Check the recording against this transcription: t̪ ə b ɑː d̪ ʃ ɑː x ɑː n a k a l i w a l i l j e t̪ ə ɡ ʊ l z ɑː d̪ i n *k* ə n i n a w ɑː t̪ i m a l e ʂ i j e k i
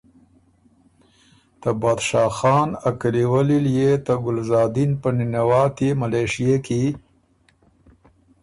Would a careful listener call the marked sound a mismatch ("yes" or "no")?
yes